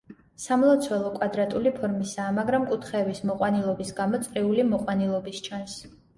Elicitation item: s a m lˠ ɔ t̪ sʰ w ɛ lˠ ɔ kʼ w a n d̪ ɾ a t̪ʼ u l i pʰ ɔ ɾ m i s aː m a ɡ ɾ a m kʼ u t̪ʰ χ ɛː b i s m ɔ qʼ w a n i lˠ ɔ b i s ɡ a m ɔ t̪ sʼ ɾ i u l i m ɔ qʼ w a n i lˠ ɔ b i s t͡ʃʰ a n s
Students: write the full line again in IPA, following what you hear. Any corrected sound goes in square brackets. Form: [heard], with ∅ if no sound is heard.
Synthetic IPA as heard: s a m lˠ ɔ t̪ sʰ w ɛ lˠ ɔ kʼ w a [∅] d̪ ɾ a t̪ʼ u l i pʰ ɔ ɾ m i s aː m a ɡ ɾ a m kʼ u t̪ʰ χ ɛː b i s m ɔ qʼ w a n i lˠ ɔ b i s ɡ a m ɔ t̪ sʼ ɾ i u l i m ɔ qʼ w a n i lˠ ɔ b i s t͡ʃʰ a n s